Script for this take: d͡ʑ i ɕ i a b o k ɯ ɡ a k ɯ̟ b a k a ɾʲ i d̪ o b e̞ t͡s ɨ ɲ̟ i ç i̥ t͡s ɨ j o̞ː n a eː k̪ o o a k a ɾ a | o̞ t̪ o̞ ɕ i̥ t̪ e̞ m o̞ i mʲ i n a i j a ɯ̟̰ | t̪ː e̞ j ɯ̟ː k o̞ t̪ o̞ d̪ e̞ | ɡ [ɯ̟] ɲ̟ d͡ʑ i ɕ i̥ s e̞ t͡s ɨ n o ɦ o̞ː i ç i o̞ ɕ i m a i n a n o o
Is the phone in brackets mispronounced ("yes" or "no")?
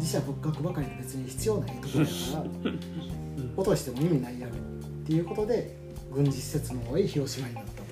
yes